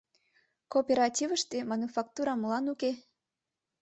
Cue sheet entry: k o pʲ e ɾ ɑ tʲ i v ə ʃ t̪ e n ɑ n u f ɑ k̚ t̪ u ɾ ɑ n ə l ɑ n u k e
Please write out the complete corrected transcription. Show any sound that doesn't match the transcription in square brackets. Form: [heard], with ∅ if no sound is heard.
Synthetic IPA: k o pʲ e ɾ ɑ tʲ i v ə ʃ t̪ e [m] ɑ n u f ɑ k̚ t̪ u ɾ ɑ [m] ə l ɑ n u k e